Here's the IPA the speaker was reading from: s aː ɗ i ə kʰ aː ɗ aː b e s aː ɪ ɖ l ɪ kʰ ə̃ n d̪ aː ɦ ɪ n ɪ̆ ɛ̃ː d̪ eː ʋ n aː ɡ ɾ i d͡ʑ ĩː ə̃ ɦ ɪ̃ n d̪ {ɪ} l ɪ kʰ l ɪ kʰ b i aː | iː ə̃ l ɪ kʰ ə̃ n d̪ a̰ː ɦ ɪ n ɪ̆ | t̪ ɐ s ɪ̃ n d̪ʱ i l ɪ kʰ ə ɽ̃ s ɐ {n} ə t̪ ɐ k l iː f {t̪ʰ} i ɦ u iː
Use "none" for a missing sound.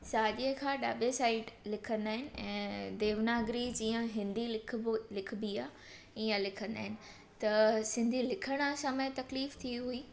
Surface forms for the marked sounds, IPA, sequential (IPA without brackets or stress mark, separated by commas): i, m, t̪ʰ